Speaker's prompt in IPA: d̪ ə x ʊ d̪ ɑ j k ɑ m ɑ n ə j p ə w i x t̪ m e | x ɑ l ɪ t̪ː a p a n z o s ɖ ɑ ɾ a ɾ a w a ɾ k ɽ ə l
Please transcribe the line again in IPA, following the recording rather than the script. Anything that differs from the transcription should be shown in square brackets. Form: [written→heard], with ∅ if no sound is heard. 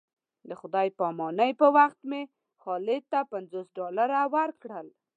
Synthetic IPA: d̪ ə x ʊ d̪ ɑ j [k→p] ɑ m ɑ n ə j p ə w [i→a] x t̪ m e | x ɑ l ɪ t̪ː a p a n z o s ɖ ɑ [ɾ→l] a ɾ a w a ɾ k ɽ ə l